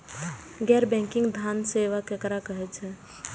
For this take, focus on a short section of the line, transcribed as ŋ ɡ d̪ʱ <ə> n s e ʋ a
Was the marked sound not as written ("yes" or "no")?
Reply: yes